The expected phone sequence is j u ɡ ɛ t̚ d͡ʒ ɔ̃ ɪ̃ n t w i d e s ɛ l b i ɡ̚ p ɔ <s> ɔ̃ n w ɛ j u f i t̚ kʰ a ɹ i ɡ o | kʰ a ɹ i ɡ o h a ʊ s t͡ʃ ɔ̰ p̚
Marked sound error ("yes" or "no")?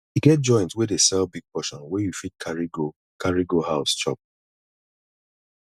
yes